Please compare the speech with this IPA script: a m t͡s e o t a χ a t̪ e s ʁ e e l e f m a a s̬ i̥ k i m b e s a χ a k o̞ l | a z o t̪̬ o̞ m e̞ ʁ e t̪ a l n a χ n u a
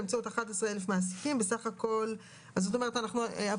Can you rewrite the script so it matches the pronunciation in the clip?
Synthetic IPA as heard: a m t͡s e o t a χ a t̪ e s ʁ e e l e f m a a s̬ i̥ k i m b e s a χ a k o̞ l | a z o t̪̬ o̞ m e̞ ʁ e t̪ a n a χ n u a